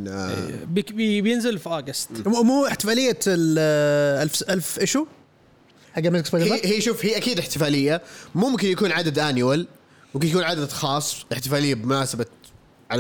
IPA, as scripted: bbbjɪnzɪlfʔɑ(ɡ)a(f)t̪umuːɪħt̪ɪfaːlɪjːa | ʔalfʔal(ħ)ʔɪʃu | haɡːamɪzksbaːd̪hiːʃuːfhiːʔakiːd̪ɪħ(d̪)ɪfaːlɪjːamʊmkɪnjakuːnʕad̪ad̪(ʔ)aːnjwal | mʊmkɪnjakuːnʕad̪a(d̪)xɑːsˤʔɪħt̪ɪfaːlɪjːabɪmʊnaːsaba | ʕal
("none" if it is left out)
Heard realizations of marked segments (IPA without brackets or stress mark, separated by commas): ɡ, s, f, t̪, ʔ, d̪